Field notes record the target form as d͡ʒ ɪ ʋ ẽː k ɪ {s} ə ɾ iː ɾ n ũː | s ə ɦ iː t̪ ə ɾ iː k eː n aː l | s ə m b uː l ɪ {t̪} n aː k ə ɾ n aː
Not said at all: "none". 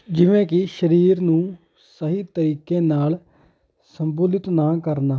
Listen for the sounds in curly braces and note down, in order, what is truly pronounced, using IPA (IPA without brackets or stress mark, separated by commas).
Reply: ʃ, t̪